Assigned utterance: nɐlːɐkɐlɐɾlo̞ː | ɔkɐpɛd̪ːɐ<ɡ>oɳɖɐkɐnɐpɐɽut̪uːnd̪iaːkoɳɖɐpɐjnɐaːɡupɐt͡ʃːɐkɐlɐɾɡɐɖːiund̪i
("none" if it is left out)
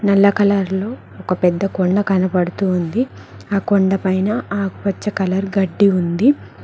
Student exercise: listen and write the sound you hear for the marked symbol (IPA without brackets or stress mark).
k